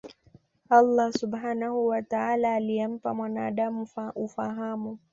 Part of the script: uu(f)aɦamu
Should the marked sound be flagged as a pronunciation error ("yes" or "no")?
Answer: no